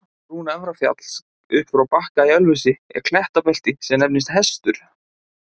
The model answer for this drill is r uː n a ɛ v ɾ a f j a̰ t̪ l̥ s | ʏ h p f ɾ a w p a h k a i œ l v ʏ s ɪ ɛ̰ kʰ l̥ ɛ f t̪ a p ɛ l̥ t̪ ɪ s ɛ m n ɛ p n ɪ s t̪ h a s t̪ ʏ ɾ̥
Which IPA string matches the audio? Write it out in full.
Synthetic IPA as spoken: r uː n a ɛ v ɾ a f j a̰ t̪ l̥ s | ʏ h p f ɾ a w p a h k a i œ l v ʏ s ɪ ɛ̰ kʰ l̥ ɛ h t̪ a p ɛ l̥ t̪ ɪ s ɛ m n ɛ p n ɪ s t̪ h ɛ s t̪ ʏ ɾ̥